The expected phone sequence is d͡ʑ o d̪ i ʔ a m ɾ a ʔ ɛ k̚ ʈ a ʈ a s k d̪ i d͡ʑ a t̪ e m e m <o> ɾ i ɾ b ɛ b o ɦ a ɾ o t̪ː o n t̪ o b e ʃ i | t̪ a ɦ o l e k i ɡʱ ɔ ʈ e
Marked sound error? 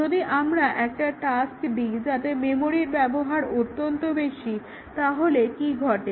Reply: no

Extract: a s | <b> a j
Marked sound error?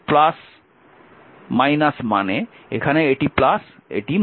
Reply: yes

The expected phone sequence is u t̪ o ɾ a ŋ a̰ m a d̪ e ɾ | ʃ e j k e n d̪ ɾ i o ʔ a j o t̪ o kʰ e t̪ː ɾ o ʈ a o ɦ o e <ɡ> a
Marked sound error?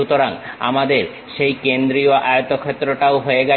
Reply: no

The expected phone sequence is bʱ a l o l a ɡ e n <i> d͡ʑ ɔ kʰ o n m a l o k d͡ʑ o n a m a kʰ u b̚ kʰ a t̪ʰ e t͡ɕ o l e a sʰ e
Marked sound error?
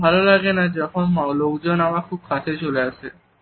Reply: yes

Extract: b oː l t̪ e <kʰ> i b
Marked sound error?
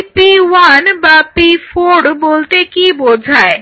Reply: yes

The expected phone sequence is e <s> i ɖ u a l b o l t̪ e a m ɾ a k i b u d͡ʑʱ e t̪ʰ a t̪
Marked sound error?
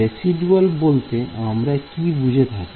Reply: no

